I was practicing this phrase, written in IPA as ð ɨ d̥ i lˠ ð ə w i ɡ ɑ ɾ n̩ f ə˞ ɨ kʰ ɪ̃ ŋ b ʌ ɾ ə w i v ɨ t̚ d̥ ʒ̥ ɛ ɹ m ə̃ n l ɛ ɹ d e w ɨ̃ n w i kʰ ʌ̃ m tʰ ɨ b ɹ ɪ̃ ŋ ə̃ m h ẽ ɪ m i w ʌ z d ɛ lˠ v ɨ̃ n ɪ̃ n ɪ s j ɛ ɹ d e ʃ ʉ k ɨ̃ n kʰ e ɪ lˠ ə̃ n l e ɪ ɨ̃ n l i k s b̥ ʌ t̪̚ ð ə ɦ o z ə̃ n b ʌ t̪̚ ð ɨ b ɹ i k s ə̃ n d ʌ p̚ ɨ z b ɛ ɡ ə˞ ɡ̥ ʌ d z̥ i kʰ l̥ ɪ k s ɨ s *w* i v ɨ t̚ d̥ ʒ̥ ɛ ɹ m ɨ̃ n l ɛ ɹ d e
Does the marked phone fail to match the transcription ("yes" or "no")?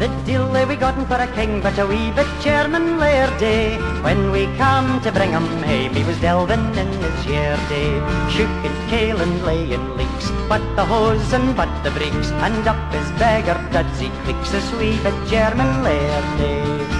no